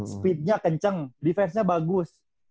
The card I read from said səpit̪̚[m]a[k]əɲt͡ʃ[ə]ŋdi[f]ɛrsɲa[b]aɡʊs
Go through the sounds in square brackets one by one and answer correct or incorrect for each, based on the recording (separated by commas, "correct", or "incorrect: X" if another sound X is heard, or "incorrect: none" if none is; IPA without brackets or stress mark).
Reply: incorrect: ɲ, correct, correct, correct, correct